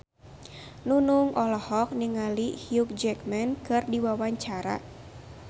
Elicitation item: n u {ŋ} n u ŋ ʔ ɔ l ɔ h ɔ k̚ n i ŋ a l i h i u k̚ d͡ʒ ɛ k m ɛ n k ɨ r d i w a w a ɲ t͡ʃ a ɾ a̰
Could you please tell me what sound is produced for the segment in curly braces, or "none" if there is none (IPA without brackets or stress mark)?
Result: none